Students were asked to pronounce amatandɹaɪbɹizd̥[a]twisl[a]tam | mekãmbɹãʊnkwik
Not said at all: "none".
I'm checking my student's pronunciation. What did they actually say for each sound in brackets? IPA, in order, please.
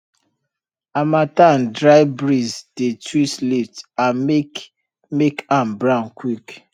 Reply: e, i

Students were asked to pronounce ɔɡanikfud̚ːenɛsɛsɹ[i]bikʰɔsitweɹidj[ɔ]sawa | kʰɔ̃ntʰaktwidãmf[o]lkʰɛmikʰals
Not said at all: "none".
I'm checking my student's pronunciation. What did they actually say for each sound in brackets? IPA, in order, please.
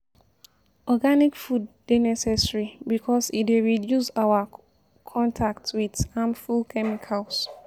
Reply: i, u, u

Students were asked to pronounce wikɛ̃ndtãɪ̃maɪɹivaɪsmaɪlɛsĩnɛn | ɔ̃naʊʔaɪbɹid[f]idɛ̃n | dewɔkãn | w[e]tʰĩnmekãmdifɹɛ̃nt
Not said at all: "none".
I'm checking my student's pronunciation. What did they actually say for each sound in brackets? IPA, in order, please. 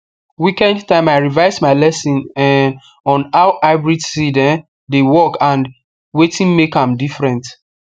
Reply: s, e

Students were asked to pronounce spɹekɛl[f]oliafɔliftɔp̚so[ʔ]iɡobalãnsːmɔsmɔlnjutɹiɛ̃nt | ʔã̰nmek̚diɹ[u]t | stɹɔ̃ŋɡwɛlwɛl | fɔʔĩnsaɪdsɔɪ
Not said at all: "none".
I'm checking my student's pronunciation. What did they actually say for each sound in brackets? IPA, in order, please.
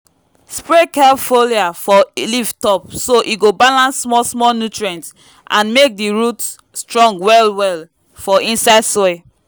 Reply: f, ʔ, u

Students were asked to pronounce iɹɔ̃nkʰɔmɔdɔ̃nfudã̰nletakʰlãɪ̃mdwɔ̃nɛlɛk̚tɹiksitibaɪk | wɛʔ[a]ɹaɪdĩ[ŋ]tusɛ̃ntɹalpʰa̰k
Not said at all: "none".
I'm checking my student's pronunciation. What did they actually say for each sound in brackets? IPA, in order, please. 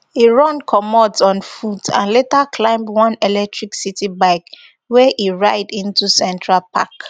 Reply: i, n

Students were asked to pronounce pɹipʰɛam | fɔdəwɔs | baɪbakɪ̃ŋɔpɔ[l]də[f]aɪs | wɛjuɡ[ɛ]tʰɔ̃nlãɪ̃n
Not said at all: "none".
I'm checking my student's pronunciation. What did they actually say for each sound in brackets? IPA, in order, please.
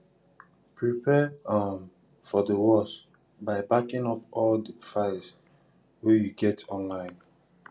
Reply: l, f, ɛ

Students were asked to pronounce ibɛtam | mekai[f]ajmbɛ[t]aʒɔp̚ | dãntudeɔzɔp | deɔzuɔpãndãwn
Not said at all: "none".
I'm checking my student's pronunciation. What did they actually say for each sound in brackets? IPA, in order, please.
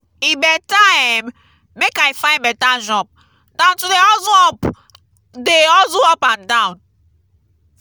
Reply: f, t

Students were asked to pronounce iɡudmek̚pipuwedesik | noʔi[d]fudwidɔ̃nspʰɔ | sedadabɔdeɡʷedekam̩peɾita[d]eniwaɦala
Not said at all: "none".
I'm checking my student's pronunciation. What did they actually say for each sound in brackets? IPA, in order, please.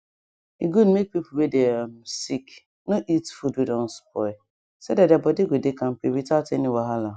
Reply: t, t

